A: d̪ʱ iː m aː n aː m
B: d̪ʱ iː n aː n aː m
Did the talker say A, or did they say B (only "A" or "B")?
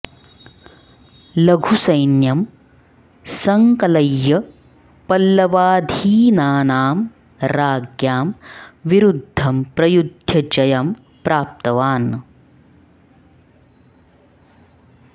B